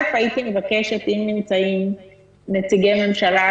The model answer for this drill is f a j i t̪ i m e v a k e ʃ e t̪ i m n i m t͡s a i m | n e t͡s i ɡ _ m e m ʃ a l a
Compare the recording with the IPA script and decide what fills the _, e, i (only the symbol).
e